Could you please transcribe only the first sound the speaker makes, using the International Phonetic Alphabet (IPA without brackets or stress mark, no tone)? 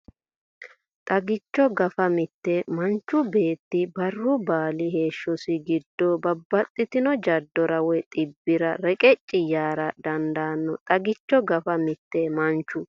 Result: t̪ʼ